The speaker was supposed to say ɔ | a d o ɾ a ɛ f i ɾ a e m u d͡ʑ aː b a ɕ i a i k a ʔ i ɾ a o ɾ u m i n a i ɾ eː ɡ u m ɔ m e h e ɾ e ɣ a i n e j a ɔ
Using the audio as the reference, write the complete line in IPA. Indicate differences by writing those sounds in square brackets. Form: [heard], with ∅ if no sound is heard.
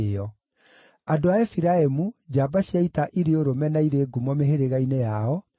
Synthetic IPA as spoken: ɔ | a d o [∅] a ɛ f i ɾ a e m u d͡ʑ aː b a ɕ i a i [t] a ʔ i ɾ [e] o ɾ [o] m [ɛ] n a i ɾ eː ɡ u m ɔ m e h e ɾ e ɣ a i n e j a ɔ